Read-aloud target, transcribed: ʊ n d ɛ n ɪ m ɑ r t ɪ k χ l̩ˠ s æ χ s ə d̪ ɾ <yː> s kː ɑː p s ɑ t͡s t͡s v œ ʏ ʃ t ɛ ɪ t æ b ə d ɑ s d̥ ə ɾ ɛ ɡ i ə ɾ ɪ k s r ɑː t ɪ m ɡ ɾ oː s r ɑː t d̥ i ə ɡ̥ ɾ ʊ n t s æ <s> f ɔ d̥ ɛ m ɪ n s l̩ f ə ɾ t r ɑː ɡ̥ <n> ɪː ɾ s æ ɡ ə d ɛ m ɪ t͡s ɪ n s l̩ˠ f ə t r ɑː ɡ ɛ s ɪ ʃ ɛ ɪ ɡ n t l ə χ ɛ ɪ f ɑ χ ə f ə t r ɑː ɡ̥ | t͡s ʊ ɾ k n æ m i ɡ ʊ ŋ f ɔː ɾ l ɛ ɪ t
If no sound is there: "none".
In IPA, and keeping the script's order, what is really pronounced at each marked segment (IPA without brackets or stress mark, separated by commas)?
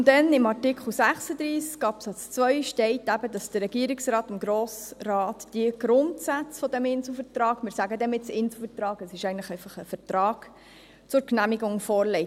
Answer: iː, t͡s, m